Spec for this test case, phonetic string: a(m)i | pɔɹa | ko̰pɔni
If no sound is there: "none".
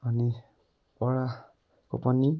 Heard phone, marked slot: n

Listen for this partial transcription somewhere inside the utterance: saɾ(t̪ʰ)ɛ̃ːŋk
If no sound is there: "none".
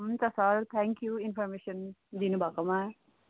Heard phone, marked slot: t̪ʰ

